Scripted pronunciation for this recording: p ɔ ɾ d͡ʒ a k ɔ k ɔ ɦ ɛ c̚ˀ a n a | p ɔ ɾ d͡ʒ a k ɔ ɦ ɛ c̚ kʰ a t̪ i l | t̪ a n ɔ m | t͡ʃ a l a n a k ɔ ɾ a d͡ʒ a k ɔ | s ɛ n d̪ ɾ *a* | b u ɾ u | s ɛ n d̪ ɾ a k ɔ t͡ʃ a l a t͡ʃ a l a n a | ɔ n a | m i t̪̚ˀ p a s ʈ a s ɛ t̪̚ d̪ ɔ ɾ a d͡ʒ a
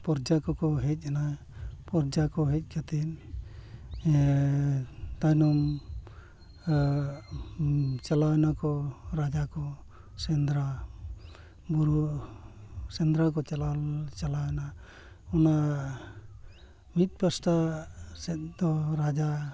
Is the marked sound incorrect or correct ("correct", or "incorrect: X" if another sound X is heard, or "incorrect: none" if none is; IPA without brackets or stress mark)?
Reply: correct